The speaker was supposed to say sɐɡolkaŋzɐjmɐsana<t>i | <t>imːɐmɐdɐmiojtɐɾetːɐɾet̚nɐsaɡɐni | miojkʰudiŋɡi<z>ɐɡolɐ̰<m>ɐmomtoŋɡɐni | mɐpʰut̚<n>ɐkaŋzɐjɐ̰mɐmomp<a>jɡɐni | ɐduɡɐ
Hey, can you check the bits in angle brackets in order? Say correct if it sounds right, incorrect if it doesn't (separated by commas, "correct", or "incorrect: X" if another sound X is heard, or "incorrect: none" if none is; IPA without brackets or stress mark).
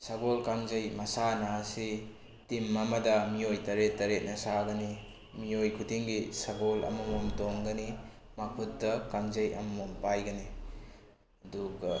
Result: incorrect: s, correct, incorrect: s, correct, incorrect: d, correct